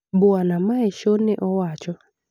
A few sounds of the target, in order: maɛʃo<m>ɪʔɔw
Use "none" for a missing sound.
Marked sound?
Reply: n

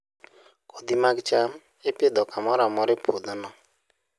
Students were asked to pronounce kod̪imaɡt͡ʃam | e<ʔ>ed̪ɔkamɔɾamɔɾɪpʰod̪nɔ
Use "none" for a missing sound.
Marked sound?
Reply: p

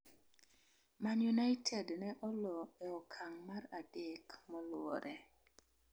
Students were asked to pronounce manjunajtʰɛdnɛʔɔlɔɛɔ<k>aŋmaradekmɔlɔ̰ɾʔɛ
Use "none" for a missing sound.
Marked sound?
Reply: kʰ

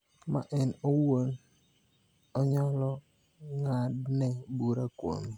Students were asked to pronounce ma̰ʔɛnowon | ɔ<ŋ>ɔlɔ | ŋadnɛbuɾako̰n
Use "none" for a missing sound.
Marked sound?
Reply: ɲ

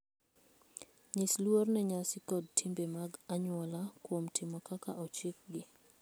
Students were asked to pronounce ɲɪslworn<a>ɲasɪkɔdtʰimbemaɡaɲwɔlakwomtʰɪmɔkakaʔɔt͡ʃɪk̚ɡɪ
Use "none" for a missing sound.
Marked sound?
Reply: ɛ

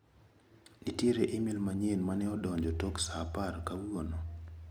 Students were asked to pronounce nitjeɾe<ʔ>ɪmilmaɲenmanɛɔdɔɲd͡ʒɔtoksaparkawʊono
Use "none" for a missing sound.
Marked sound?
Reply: ʔ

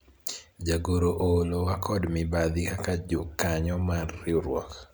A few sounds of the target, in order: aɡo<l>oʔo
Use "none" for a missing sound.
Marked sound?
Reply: ɾ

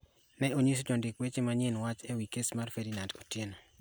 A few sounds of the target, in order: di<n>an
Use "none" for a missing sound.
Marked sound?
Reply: n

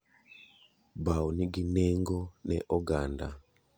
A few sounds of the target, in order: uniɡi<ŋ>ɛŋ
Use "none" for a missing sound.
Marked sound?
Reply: n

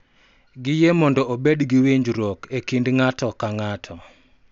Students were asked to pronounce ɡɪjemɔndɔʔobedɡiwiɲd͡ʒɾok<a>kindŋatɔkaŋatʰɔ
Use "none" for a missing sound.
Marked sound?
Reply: e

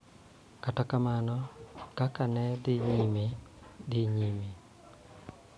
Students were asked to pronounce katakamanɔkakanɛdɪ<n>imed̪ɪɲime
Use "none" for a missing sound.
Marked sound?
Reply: ɲ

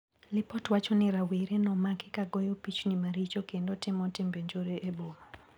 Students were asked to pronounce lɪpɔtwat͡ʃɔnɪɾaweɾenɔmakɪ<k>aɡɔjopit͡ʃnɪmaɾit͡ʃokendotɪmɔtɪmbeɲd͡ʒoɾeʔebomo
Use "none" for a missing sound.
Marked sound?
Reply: k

